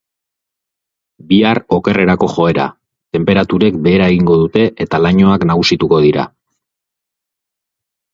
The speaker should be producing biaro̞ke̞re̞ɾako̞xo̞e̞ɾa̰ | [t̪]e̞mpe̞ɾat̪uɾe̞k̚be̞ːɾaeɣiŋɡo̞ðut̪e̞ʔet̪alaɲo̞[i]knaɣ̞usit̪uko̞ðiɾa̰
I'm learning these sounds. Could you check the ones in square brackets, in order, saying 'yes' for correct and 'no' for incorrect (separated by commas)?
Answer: yes, no